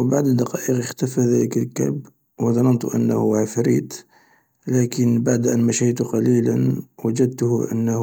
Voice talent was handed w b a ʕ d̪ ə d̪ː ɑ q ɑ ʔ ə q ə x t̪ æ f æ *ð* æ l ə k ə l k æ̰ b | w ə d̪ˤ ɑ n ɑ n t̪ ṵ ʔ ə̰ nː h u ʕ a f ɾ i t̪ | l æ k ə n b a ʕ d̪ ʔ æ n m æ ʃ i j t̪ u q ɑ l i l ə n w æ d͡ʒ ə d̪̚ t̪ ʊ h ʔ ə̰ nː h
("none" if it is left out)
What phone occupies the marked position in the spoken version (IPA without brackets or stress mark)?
ð